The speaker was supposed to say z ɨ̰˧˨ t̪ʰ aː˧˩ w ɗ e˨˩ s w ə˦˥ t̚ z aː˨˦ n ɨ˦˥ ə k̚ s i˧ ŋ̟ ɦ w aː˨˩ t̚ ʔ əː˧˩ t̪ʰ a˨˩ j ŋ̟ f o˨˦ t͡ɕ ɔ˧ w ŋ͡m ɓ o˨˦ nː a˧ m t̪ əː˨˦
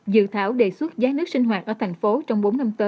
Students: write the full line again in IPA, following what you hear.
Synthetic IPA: z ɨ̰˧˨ t̪ʰ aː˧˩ w ɗ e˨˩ s w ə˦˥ t̚ z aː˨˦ n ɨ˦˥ ə k̚ s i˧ ŋ̟ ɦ w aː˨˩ t̚ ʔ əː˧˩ t̪ʰ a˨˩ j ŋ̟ f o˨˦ t͡ɕ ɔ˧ w ŋ͡m ɓ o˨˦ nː a˧ m t̪ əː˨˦